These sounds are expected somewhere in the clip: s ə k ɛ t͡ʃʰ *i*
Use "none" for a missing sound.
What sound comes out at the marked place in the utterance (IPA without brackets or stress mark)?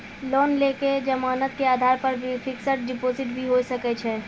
ɛ